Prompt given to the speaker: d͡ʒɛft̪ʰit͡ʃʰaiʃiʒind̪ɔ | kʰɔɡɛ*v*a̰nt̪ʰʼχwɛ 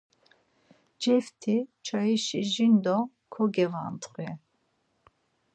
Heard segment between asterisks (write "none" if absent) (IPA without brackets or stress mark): v